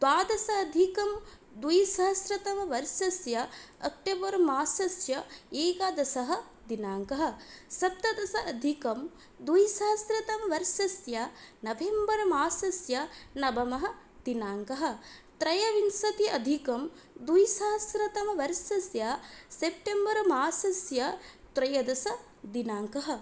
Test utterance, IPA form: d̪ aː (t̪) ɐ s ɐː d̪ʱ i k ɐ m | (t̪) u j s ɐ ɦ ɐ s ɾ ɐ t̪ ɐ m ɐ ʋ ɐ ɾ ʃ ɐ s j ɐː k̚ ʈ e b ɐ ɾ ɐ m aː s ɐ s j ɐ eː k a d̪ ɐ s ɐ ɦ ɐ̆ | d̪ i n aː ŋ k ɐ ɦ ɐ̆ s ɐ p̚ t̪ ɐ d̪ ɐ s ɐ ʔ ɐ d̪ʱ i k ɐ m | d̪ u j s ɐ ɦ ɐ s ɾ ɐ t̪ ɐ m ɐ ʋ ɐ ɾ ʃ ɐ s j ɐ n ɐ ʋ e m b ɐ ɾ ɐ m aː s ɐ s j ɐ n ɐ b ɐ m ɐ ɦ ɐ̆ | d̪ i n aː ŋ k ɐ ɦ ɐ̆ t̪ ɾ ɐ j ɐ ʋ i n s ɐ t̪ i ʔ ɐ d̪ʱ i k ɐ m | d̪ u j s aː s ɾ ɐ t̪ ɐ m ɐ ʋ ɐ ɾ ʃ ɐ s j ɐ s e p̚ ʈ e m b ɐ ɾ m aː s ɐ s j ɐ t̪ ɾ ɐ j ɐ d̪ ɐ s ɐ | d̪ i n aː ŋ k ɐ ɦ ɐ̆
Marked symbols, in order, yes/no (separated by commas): no, no